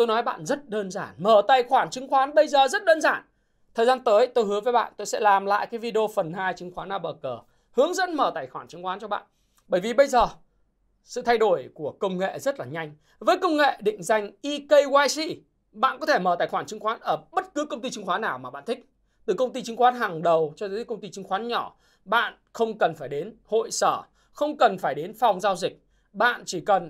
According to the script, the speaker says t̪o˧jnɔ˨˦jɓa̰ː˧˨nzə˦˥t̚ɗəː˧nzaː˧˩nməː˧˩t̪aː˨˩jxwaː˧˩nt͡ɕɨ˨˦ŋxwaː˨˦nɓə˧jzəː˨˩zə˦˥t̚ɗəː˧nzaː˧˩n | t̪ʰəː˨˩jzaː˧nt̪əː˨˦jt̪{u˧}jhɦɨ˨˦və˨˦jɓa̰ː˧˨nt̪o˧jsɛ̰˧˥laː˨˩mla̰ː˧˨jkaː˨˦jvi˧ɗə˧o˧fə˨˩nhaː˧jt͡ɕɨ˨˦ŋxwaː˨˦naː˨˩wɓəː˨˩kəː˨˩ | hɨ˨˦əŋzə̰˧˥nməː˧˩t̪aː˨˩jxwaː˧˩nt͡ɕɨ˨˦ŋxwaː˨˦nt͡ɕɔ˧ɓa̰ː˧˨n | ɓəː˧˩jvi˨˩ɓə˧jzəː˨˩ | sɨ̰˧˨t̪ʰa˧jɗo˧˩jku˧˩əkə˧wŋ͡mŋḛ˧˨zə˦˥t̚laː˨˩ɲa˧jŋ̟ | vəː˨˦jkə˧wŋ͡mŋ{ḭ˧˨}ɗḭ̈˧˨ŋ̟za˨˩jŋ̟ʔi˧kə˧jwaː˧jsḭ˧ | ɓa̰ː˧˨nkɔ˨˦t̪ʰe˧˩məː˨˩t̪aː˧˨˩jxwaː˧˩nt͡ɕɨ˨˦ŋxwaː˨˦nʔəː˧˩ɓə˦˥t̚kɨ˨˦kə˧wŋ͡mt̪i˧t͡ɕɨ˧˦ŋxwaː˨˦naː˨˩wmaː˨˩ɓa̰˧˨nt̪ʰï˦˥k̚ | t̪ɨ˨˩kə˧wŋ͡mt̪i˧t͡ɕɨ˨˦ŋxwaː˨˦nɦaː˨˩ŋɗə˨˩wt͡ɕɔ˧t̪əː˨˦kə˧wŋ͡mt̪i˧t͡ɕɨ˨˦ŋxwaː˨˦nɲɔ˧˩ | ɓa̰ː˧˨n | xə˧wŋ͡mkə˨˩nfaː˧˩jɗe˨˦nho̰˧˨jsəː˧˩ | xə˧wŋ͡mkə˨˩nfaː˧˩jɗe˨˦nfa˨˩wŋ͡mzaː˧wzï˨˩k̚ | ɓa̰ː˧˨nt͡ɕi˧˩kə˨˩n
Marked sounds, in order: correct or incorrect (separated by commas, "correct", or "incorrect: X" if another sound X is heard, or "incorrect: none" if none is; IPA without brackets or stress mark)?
incorrect: o˧, incorrect: ḛ˧˨